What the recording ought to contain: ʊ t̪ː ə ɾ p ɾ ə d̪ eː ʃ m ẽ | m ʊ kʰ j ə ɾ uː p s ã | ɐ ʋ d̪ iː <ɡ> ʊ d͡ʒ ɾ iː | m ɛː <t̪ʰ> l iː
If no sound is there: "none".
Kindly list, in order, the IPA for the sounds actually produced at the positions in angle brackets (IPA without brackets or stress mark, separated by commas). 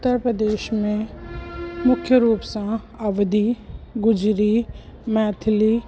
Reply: ɡ, t̪ʰ